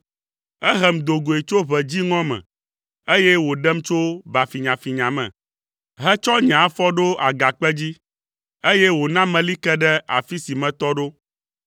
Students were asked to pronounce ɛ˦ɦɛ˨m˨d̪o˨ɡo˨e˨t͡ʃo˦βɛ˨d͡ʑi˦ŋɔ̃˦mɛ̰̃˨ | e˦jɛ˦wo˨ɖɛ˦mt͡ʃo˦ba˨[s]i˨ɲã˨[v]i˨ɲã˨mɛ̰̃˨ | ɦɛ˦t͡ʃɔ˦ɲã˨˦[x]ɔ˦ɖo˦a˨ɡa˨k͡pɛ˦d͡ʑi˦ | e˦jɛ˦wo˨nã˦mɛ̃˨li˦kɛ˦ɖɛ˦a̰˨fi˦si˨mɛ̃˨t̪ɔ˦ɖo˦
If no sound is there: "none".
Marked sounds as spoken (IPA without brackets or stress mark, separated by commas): f, f, f